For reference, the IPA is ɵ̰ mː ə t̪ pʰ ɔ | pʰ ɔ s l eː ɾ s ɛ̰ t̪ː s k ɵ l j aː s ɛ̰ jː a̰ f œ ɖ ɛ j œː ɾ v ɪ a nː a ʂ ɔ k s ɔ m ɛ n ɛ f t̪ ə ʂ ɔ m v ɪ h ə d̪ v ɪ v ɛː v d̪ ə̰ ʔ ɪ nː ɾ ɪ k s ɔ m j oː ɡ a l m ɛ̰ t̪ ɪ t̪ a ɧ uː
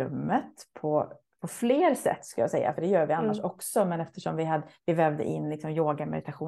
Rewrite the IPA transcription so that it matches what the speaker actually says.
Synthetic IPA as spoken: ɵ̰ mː ə t̪ pʰ ɔ | pʰ ɔ f l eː ɾ s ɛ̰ t̪ː s k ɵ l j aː s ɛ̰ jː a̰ f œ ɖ ɛ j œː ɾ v ɪ a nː a ʂ ɔ k s ɔ m ɛ n ɛ f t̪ ə ʂ ɔ m v ɪ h a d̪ v ɪ v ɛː v d̪ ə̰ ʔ ɪ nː l ɪ k s ɔ m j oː ɡ a m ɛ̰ d̪ ɪ t̪ a ɧ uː